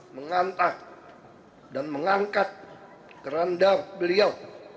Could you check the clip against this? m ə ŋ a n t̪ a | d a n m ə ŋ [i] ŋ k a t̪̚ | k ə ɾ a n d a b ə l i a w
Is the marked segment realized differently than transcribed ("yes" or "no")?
yes